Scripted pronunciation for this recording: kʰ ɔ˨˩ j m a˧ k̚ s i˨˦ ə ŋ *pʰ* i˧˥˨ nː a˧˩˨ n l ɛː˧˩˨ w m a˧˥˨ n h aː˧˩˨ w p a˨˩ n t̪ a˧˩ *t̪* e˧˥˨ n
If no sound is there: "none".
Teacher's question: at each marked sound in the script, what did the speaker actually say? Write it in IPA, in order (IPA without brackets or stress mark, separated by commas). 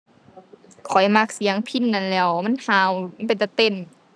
pʰ, t̪